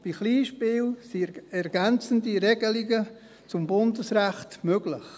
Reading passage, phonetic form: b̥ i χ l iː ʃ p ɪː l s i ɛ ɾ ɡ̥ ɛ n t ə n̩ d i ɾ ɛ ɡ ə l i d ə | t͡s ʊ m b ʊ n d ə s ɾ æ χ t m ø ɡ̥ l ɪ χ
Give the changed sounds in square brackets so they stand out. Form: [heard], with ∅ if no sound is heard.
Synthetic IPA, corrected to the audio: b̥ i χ l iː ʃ p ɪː l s i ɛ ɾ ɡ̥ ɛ n [t͡s] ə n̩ d i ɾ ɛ ɡ ə l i [ɡ] ə | t͡s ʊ m b ʊ n d ə s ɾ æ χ t m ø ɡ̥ l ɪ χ